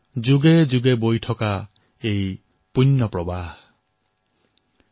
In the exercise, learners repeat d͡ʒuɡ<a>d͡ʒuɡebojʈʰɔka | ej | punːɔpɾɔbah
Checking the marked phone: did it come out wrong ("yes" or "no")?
yes